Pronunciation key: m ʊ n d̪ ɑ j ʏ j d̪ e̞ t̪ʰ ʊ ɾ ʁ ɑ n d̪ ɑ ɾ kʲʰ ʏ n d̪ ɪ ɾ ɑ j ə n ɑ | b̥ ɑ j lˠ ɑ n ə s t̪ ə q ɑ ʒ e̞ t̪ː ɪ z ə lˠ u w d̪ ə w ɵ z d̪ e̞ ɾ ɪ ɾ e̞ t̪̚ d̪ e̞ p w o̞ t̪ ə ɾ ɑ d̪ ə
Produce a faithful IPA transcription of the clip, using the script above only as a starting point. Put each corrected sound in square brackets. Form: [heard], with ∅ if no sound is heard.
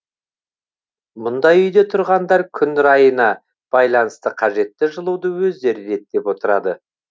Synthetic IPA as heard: m ʊ n d̪ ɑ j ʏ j d̪ e̞ t̪ʰ ʊ ɾ ʁ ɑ n d̪ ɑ ɾ kʲʰ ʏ n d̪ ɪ ɾ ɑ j ə n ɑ | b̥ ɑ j lˠ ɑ n ə s t̪ ə [qʰ] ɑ ʒ e̞ t̪ː ɪ [ʒ] ə lˠ u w d̪ ə w ɵ z d̪ e̞ ɾ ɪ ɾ e̞ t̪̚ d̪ e̞ p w o̞ t̪ ə ɾ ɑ d̪ ə